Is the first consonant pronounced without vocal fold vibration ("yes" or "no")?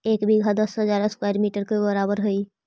yes